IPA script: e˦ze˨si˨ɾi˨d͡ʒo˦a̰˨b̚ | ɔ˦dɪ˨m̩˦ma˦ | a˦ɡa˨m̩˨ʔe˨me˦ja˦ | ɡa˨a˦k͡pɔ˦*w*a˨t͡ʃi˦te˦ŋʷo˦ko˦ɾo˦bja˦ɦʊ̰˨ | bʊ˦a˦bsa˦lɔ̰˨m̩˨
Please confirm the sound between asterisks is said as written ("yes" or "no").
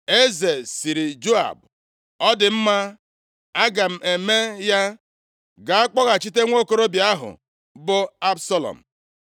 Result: no